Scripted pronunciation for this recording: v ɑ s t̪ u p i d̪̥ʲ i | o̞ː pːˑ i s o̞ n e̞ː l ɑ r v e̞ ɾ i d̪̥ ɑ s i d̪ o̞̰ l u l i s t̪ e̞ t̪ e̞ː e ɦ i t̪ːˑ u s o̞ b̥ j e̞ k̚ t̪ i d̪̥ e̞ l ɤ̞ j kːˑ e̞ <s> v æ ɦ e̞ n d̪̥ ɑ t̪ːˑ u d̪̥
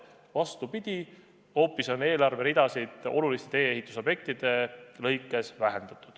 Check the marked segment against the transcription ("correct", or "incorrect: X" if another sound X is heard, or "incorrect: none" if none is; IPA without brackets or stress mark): correct